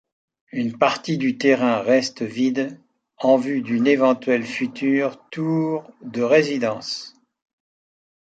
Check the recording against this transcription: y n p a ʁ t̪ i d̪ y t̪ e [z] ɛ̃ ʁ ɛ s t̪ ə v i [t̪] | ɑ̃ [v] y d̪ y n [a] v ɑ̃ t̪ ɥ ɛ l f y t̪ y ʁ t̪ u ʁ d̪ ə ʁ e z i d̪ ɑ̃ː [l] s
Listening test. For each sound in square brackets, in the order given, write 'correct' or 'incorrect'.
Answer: incorrect: ʁ, incorrect: d̪, correct, incorrect: e, incorrect: none

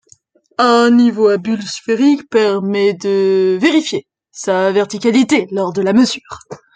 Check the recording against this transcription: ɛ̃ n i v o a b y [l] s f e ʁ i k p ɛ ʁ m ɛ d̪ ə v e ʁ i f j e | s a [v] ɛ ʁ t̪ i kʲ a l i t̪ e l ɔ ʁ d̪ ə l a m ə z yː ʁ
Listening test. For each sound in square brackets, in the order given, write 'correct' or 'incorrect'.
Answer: correct, correct

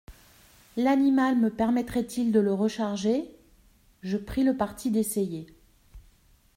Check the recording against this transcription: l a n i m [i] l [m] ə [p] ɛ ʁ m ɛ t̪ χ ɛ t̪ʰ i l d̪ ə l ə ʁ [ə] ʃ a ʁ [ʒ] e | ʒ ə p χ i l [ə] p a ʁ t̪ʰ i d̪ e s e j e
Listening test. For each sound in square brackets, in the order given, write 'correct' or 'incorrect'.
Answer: incorrect: a, correct, correct, correct, correct, correct

